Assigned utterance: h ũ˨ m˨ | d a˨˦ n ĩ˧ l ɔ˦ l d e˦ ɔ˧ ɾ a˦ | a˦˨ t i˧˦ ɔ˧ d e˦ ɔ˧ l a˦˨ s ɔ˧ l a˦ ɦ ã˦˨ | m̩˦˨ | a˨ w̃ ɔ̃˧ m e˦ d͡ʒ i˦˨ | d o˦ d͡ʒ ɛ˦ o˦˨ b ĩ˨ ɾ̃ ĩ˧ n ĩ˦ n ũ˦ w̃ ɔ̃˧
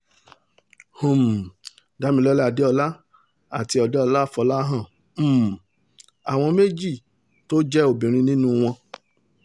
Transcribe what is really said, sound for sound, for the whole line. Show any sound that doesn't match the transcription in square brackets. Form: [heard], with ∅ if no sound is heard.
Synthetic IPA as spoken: h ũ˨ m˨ | d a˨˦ [m] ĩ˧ l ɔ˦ l d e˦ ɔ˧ [l] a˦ | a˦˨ t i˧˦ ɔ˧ d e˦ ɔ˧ l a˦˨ [f] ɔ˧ l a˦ ɦ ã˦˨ | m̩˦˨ | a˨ w̃ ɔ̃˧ m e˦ d͡ʒ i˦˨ | [t] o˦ d͡ʒ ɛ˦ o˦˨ b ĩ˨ ɾ̃ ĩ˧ n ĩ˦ n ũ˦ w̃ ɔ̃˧